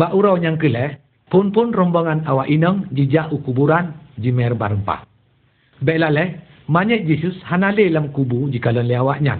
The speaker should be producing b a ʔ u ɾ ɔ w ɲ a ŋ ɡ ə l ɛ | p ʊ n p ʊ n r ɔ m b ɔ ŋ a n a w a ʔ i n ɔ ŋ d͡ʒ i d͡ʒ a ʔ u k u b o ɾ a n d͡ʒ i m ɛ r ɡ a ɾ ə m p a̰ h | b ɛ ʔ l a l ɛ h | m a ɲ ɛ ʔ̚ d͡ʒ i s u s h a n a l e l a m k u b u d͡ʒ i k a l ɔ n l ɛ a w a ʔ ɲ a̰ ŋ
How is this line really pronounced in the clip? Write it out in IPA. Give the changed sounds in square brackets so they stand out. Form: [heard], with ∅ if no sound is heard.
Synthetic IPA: b a ʔ u ɾ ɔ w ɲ a ŋ [k] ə l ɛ | p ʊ n p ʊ n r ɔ m b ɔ ŋ a n a w a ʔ i n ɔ ŋ d͡ʒ i d͡ʒ a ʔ u k u b [u] ɾ a n d͡ʒ i m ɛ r [b] a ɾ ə m p a̰ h | b ɛ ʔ l a l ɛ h | m a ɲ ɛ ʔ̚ d͡ʒ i s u s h a n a l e l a m k u b u d͡ʒ i k a l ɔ n l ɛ a w a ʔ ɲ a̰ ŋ